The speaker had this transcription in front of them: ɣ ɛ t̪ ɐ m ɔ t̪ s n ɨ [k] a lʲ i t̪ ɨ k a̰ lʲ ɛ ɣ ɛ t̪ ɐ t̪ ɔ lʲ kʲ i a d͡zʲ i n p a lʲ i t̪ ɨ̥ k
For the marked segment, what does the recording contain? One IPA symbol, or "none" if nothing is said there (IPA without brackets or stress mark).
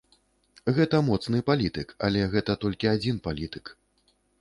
p